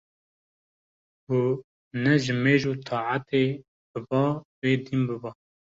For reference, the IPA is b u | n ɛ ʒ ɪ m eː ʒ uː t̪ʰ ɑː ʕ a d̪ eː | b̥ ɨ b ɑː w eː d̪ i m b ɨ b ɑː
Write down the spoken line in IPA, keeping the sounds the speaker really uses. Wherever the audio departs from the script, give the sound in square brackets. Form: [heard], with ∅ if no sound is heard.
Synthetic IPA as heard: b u | n ɛ ʒ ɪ m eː ʒ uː t̪ʰ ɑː ʕ a [t̪] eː | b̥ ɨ b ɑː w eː d̪ i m b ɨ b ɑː